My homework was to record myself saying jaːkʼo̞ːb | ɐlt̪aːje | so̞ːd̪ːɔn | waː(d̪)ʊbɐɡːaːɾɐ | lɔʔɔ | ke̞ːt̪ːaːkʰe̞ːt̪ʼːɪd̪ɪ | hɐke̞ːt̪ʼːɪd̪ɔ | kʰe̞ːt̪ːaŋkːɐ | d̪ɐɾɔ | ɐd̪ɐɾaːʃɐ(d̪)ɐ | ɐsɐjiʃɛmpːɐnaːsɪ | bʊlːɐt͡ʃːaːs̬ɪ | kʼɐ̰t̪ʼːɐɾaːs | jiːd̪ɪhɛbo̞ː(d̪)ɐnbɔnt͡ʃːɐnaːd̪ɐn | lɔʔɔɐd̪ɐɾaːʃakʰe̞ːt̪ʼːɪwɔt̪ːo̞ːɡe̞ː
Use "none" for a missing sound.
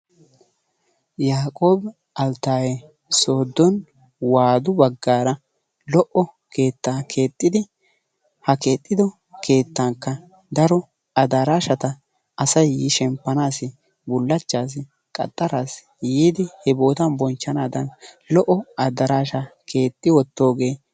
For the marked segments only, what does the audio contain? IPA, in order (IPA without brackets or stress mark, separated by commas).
d̪, t̪, t̪